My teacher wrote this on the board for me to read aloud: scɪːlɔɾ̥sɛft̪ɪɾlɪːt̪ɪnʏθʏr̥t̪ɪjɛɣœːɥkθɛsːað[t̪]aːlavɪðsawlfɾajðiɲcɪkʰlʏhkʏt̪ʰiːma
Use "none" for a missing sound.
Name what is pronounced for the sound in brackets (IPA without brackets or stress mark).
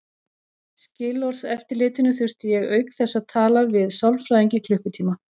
t̪ʰ